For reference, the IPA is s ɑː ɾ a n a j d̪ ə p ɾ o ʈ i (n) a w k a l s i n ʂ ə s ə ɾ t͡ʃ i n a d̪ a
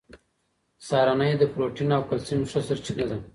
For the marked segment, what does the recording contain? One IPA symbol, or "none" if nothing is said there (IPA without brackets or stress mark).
n